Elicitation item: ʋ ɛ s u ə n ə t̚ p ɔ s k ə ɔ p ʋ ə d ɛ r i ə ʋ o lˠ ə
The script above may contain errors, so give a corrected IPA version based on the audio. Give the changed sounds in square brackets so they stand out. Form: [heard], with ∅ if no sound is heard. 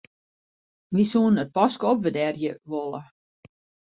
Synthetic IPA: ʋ [i] s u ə n ə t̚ p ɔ s k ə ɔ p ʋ ə d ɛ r [j] ə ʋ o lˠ ə